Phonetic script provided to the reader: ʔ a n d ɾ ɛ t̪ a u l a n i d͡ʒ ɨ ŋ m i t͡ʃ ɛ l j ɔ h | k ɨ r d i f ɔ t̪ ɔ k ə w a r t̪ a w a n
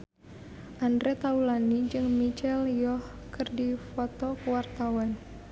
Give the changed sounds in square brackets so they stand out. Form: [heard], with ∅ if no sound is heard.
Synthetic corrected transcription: ʔ a n d ɾ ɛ t̪ a u l a n i d͡ʒ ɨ ŋ m i t͡ʃ ɛ l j ɔ h | k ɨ r d i f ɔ t̪ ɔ k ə w a r t̪ a w a n

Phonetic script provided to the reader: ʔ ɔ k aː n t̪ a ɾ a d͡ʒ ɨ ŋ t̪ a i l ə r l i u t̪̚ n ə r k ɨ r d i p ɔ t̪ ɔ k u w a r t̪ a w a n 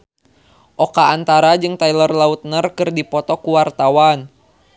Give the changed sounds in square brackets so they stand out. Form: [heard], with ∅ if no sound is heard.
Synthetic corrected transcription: ʔ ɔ k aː n t̪ a ɾ a d͡ʒ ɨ ŋ t̪ a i l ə r l [a] u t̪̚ n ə r k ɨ r d i p ɔ t̪ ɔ k u w a r t̪ a w a n

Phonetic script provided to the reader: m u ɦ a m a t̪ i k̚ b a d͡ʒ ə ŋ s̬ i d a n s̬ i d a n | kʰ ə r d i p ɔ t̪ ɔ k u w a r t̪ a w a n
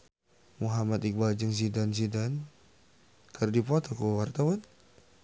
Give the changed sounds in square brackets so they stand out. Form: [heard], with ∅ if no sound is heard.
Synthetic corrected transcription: m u ɦ a m a t̪ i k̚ b a d͡ʒ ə ŋ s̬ i d a n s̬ i d a n | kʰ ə r d i p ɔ t̪ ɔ k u w a r t̪ a w a n

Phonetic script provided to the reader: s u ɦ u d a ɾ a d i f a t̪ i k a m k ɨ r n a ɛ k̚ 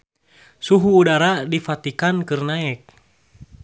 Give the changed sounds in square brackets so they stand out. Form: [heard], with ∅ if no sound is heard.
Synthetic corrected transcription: s u ɦ [uː] d a ɾ a d i f a t̪ i k a [n] k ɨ r n a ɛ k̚

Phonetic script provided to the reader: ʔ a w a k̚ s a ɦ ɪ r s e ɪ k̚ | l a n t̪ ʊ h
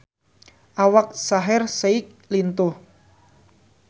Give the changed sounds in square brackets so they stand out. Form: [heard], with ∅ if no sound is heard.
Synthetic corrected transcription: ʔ a w a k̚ s a ɦ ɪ r s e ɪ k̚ | l [i] n t̪ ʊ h

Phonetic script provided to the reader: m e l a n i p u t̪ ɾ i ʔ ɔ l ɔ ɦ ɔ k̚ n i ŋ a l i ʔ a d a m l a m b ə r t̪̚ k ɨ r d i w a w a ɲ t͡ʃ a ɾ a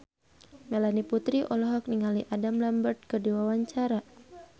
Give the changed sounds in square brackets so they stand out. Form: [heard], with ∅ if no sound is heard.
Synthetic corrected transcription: m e l a n i p u t̪ ɾ i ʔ ɔ l ɔ ɦ ɔ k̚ n i ŋ a l i ʔ a d a m l a m b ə r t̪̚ k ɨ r d i w a w a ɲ t͡ʃ a ɾ a

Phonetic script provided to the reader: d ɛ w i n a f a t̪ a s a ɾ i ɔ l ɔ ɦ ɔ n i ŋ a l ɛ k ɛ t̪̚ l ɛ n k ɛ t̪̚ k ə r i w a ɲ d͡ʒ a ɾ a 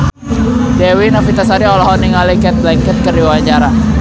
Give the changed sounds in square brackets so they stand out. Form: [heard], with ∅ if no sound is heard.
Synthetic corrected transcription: d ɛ w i n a f [i] t̪ a s a ɾ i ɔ l ɔ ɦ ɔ n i ŋ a l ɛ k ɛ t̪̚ l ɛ [ŋ] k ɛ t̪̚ k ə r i w a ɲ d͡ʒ a ɾ a

